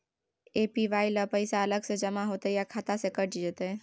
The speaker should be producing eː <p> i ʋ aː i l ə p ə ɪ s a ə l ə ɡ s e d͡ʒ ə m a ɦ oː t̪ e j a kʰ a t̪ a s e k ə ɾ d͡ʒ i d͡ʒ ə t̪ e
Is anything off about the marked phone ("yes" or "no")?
no